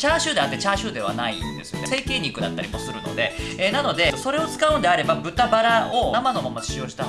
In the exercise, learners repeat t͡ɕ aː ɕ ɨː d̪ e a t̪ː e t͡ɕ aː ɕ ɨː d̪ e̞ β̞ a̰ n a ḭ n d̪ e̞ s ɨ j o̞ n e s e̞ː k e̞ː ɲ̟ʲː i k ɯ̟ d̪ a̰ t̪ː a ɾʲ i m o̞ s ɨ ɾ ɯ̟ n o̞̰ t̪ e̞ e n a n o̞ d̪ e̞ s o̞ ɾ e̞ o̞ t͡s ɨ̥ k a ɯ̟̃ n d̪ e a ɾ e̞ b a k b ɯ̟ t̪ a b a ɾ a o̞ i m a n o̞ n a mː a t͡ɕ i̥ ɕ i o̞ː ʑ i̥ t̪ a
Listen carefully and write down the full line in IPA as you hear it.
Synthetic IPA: t͡ɕ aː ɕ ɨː d̪ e a t̪ː e t͡ɕ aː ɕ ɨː d̪ e̞ β̞ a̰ n a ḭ n d̪ e̞ s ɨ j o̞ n e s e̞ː k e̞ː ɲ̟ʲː i k ɯ̟ d̪ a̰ t̪ː a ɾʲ i m o̞ s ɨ ɾ ɯ̟ n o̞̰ d̪ e̞ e n a n o̞ d̪ e̞ s o̞ ɾ e̞ o̞ t͡s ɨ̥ k a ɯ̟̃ n d̪ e a ɾ e̞ b a b ɯ̟ t̪ a b a ɾ a o̞ a m a n o̞ m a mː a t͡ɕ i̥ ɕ i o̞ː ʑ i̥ t̪ a